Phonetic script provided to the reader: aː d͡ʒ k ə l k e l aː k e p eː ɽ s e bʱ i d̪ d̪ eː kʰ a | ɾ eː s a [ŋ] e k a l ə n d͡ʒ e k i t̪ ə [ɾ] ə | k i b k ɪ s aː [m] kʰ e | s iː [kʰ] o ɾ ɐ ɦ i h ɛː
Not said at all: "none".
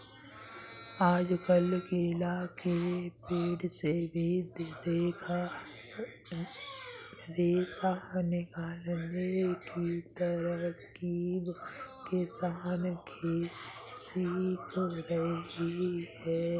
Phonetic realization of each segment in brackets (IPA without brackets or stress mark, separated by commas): n, ɾ, n, kʰ